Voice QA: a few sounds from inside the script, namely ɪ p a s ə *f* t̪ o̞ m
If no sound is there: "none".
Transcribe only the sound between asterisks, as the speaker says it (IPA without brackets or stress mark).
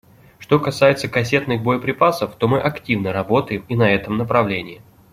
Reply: f